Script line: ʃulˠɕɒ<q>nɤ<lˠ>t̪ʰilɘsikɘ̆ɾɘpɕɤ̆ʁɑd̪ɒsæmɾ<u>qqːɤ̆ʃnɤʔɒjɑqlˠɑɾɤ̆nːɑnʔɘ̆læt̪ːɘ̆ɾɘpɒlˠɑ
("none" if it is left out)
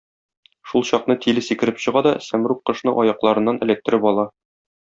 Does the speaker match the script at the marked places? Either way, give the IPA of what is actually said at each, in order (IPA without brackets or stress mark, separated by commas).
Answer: q, none, u